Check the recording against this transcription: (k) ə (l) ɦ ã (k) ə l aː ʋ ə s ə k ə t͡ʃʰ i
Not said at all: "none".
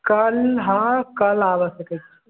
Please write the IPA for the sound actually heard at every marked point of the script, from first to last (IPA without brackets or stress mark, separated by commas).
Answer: k, l, k